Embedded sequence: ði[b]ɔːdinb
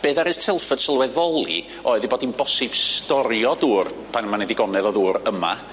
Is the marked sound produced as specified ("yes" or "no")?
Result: yes